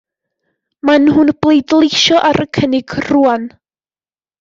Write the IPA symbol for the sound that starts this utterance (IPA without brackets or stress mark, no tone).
m